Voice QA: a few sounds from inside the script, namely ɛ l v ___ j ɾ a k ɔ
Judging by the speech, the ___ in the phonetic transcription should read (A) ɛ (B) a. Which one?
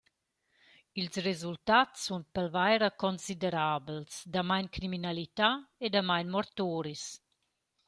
B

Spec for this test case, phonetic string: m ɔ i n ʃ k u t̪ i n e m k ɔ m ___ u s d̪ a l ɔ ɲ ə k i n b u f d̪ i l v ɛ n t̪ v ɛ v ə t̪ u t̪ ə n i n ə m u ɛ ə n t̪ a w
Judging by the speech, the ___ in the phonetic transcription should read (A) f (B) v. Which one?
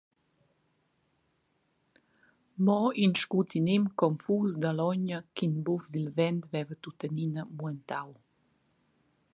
A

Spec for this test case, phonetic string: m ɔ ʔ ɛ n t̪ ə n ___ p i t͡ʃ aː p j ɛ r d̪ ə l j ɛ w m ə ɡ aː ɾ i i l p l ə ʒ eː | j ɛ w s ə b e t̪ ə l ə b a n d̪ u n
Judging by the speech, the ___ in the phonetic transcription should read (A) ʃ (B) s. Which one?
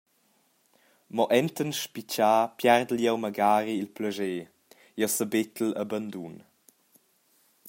A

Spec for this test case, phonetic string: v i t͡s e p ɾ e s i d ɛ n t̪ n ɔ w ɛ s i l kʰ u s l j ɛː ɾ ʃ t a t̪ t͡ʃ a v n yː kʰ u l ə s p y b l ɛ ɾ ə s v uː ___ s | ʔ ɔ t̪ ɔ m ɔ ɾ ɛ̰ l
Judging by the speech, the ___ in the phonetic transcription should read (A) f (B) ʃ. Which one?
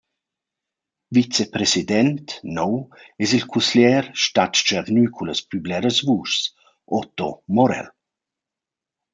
B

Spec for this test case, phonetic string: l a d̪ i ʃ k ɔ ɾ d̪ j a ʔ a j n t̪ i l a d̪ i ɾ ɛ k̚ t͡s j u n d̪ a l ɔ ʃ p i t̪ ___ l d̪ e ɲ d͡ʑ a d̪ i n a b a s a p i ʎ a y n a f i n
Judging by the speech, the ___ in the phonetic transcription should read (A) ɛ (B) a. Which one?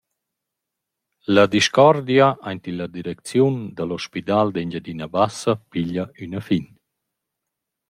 B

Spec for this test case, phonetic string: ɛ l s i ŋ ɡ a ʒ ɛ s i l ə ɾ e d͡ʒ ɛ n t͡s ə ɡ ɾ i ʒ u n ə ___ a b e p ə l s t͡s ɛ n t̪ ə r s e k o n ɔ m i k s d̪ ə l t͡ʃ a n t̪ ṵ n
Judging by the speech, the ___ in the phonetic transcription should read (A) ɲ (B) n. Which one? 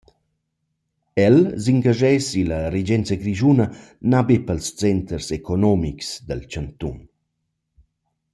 B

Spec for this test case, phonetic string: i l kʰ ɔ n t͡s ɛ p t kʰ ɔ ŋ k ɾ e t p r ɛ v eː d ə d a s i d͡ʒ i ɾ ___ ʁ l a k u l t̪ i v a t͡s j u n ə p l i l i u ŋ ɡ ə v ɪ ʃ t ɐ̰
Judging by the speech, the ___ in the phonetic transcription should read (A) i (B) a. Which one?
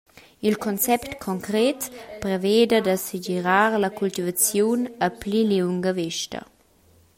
B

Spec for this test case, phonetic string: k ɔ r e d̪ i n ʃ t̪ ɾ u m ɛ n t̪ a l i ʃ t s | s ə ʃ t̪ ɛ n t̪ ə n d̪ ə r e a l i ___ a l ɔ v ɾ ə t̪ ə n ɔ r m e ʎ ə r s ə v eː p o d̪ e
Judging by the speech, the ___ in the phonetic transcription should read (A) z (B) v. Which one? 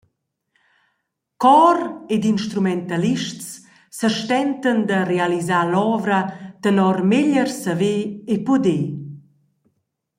A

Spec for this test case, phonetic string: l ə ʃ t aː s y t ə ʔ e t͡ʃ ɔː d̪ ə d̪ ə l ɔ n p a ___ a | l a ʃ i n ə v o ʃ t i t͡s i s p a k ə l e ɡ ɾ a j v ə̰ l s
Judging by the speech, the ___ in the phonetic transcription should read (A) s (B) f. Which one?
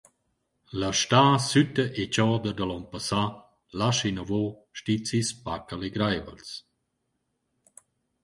A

